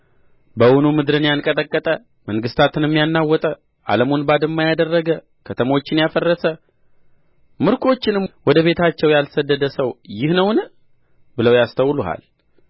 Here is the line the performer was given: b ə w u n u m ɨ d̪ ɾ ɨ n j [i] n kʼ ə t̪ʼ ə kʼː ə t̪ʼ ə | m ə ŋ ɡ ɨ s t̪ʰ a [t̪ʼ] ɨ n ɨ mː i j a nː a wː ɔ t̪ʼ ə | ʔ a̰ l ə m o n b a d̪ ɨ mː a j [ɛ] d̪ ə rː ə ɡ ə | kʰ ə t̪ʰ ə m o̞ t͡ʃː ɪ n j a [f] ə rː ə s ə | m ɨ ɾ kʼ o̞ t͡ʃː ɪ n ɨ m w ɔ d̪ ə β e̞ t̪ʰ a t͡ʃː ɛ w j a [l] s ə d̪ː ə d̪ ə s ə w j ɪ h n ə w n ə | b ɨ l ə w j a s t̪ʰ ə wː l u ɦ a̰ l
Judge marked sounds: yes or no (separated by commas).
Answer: no, no, no, yes, yes